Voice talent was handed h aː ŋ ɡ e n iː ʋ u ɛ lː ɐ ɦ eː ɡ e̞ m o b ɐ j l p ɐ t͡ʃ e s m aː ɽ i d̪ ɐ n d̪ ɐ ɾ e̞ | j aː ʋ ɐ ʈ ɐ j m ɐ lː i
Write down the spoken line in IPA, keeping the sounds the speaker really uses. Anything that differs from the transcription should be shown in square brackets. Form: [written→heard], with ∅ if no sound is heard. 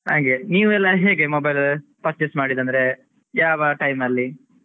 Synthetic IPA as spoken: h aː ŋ ɡ e n iː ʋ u ɛ lː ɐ ɦ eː ɡ e̞ m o b ɐ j l p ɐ t͡ʃ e s m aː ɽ i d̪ ɐ n d̪ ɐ ɾ e̞ | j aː ʋ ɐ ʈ ɐ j m ɐ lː i